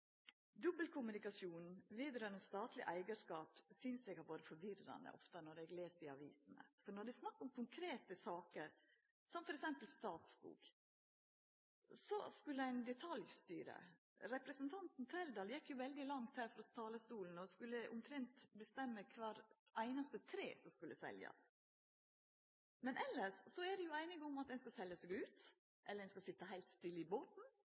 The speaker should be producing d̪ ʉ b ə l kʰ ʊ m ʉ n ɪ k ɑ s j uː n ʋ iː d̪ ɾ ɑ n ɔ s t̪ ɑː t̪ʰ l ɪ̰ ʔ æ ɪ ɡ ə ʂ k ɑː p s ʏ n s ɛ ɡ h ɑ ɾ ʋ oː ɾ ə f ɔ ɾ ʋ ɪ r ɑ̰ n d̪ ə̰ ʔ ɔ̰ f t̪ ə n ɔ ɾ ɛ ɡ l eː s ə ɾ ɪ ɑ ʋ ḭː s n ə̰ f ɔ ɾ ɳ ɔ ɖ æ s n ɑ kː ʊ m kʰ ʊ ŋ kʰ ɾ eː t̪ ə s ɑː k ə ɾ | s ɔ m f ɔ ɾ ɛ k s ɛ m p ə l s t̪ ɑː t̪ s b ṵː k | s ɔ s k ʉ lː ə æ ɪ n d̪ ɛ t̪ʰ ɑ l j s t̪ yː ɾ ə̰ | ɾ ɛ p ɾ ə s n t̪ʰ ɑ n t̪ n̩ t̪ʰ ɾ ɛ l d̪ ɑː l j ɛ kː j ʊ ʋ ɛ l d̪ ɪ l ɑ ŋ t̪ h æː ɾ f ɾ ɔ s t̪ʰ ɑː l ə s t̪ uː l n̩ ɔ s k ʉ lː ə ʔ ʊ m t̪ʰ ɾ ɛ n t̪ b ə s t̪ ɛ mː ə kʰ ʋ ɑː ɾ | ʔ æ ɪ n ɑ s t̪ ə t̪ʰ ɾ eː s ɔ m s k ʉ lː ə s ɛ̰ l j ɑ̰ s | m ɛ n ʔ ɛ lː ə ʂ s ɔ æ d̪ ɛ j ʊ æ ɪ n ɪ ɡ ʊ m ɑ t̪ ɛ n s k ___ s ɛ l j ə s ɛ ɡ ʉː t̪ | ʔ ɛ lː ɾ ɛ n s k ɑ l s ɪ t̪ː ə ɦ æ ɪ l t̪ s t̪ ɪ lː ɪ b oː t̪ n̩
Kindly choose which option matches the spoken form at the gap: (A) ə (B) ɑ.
B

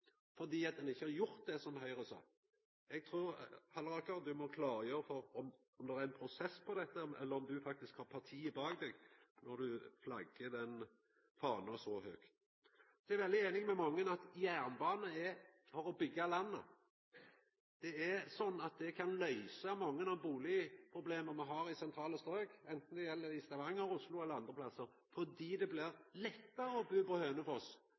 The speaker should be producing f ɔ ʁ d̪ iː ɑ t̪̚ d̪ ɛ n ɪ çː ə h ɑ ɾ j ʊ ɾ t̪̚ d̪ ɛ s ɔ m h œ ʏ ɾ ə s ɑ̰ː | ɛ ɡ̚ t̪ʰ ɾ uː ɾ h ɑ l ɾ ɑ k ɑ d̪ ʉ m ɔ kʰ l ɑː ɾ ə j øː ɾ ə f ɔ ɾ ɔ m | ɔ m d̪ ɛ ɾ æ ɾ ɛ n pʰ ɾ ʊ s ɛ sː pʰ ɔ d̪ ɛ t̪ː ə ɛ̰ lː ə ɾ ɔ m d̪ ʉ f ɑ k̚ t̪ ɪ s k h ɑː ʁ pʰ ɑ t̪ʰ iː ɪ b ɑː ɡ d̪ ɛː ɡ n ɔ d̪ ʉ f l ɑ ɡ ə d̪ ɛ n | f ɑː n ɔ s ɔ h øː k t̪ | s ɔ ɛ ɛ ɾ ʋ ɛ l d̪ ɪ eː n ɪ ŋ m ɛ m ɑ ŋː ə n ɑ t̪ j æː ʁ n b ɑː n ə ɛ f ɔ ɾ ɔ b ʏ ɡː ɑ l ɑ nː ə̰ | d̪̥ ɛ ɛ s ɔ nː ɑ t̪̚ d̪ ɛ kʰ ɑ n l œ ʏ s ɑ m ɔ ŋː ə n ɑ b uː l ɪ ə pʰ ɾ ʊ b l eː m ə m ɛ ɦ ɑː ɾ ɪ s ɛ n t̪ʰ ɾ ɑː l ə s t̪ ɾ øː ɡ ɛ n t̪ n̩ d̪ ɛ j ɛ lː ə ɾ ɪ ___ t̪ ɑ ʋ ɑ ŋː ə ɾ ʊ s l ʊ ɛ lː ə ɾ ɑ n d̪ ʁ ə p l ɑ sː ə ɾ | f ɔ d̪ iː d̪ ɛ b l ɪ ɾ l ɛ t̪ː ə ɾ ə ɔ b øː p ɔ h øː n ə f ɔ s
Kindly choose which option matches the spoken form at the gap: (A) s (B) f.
A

